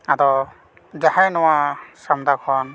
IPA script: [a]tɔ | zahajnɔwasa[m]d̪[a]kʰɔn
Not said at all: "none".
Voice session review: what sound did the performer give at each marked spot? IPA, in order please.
a, m, a

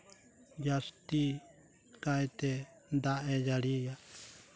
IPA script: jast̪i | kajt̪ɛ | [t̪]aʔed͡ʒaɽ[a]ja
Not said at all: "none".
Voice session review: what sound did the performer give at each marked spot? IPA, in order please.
d̪, i

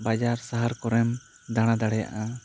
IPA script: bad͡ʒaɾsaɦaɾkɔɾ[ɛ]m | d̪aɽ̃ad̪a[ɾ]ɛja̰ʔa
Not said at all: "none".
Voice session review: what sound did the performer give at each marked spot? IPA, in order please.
ɛ, ɽ

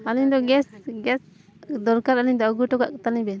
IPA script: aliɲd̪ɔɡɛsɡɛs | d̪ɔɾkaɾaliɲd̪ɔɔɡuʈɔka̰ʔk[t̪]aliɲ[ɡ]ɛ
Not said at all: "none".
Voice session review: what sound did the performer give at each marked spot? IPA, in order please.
t̪, b

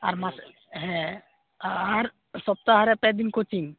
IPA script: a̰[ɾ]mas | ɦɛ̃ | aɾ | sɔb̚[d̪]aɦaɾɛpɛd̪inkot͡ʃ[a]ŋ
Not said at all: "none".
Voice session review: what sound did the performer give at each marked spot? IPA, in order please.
ɾ, t̪, i

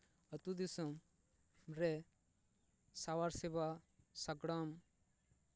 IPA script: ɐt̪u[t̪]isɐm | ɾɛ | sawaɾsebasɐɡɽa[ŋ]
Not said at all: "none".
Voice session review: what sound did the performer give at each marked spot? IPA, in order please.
d̪, m

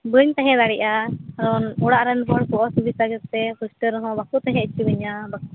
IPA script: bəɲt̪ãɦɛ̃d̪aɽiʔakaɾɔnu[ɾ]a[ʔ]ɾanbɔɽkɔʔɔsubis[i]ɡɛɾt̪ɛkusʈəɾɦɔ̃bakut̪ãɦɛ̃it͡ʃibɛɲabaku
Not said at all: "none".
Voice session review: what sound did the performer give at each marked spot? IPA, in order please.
ɽ, ʔ, a

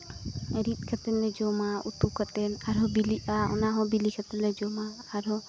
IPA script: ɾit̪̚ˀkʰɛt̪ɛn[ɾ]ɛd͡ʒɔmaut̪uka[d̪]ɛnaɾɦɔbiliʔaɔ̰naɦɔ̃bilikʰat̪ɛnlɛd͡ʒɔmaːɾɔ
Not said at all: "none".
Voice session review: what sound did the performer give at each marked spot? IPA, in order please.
l, t̪

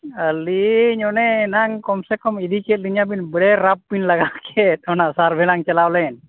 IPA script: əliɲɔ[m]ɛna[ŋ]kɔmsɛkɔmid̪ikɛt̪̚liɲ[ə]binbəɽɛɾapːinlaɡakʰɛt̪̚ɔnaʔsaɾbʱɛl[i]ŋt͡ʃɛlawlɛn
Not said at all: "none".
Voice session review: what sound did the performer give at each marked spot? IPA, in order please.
n, ŋ, a, a

